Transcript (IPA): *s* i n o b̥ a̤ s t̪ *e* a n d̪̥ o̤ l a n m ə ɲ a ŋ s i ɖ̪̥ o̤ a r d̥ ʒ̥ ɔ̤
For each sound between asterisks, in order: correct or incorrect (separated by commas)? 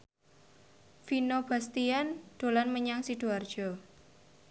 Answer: incorrect, incorrect